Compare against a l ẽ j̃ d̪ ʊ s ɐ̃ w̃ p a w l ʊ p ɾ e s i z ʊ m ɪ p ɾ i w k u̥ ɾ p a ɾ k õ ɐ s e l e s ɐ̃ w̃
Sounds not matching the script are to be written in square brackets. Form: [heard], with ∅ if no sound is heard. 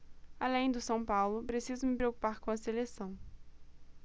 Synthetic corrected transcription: a l ẽ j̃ d̪ ʊ s ɐ̃ w̃ p a w l ʊ p ɾ e s i z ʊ m ɪ p ɾ [e] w k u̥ [∅] p a ɾ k õ ɐ s e l e s ɐ̃ w̃